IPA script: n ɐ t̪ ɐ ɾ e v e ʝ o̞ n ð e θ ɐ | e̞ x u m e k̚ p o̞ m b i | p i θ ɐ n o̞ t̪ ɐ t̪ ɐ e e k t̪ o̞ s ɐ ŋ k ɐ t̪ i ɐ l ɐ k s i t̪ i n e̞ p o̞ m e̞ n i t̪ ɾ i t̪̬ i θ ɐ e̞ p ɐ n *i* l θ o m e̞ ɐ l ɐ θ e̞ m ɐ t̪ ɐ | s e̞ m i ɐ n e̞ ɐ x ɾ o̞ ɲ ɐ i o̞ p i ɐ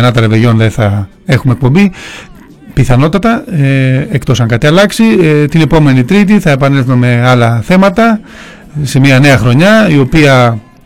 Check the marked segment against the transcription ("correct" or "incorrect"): incorrect